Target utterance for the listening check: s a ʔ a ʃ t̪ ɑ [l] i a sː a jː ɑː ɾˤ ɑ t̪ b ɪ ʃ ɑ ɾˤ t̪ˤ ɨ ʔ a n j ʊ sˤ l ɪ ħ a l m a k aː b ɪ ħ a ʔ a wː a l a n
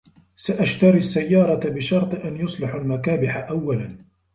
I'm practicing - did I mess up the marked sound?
yes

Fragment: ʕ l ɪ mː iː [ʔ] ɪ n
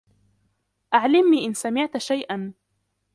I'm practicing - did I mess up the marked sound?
no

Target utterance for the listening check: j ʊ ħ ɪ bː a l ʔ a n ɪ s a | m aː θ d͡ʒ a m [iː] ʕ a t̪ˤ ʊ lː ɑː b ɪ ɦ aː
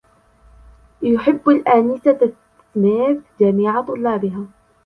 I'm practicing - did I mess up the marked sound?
no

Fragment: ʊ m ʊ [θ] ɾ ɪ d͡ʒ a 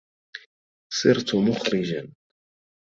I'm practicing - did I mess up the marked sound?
yes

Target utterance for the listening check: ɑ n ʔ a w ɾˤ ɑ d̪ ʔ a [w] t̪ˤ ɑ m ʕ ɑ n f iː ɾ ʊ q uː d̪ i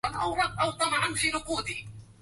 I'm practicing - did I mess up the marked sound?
no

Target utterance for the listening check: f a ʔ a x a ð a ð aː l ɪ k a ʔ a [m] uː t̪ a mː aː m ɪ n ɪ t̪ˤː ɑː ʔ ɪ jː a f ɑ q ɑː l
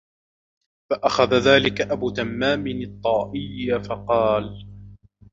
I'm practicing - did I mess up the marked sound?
yes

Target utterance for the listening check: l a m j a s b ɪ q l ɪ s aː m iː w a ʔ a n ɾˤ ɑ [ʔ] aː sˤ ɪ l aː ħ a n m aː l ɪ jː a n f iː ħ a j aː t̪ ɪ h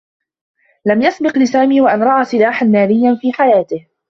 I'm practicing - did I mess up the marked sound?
no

